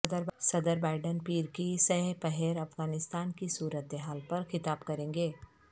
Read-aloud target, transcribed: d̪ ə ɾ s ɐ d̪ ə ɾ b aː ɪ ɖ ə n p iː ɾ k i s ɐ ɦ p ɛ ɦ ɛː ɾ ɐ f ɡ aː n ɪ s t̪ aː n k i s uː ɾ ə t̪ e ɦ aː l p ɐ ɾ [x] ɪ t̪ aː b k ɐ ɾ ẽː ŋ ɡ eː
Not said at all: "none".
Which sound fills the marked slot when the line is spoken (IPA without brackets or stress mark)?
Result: x